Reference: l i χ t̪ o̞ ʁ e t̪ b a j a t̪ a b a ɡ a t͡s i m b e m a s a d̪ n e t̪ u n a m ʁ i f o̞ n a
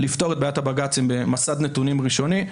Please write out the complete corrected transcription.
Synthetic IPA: l i f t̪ o̞ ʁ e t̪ b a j a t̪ a b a ɡ a t͡s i m b e m a s a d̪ n e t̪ u n i m ʁ i ʃ o̞ n i